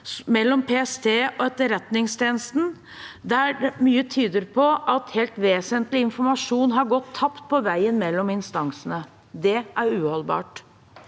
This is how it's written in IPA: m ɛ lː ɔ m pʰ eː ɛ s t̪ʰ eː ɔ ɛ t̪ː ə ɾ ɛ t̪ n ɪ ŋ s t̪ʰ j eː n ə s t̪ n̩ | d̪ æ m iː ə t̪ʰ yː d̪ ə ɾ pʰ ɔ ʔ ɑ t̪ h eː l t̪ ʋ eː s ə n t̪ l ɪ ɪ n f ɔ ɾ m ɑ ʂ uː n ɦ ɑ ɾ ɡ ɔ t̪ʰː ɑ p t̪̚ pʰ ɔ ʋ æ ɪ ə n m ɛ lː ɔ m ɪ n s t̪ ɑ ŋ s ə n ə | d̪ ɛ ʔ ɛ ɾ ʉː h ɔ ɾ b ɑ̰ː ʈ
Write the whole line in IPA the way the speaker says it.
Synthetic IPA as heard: m ɛ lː ɔ m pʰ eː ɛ s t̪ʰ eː ɔ ɛ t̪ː ə ɾ ɛ t̪ n ɪ ŋ s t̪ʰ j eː n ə s t̪ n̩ | d̪ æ m yː ə t̪ʰ yː d̪ ə ɾ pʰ ɔ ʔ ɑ t̪ h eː l t̪ ʋ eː s ə n t̪ l ɪ ɪ n f ɔ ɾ m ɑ ʂ uː n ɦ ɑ ɾ ɡ ɔ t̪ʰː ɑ p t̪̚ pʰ ɔ ʋ æ ɪ ə n m ɛ lː ɔ m ɪ n s t̪ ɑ ŋ s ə n ə | d̪ ɛ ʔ æ ɾ ʉː h ɔ l b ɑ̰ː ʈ